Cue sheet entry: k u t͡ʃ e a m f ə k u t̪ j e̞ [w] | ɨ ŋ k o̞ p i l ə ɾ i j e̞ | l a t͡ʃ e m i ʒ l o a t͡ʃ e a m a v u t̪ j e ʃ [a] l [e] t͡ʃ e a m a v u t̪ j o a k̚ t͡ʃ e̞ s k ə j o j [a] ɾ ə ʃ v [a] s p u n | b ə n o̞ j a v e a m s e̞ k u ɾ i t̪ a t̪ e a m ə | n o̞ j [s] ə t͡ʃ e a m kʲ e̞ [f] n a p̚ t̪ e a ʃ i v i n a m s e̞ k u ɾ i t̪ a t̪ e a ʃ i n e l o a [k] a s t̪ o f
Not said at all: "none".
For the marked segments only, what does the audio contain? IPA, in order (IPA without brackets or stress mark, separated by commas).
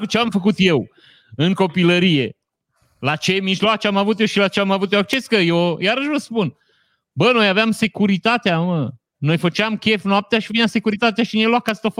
w, i, a, a, ə, f, f, k